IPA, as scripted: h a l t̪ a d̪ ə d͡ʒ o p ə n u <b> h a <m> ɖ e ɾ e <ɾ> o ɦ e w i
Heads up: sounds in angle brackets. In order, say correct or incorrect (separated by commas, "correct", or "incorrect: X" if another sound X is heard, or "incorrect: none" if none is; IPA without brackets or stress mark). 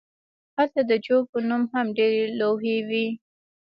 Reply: incorrect: m, correct, incorrect: l